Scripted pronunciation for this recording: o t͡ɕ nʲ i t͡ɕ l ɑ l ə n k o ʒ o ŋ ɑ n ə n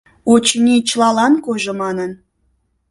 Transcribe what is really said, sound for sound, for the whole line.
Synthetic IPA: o t͡ɕ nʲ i t͡ɕ l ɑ l ɑ n k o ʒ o m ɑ n ə n